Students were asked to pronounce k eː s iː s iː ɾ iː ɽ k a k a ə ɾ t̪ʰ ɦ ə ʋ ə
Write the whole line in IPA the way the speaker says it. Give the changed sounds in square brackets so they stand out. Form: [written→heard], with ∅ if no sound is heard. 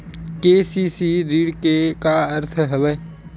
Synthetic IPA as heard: k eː s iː s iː ɾ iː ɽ k [a→e] k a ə ɾ t̪ʰ ɦ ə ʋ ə